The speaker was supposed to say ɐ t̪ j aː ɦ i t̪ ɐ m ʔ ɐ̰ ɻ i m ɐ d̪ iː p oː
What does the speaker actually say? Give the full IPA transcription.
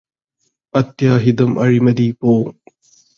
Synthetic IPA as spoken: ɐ t̪ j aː ɦ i d̪ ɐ m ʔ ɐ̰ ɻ i m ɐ d̪ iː p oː